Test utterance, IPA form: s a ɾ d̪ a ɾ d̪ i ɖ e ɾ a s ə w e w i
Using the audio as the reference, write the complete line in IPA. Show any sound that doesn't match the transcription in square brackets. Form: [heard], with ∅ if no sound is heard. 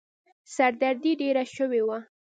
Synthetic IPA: s a ɾ d̪ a ɾ d̪ i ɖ e ɾ a [ʃ] ə w e w [a]